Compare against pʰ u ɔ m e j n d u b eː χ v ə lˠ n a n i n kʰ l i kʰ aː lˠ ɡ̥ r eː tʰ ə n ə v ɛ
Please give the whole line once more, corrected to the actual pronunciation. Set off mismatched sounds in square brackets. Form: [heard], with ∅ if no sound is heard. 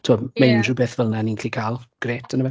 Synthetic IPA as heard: [tʰ] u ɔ m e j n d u b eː [θ] v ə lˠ n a n i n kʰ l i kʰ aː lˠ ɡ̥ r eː tʰ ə n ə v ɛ